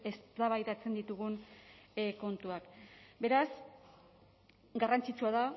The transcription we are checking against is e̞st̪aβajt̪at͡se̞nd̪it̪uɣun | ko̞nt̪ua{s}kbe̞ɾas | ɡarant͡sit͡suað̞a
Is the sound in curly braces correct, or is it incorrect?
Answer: incorrect